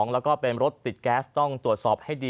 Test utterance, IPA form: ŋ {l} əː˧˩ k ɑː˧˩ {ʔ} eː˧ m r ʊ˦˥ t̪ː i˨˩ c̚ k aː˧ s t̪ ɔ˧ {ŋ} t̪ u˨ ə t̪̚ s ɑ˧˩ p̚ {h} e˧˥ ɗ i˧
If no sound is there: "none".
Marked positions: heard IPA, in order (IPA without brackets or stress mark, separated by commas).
l, p, ŋ, h